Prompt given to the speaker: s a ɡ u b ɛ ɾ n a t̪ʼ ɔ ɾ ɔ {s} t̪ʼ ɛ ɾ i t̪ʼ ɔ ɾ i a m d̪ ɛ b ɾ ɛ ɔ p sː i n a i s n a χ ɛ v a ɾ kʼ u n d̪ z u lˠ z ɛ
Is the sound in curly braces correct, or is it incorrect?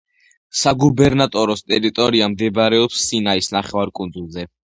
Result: correct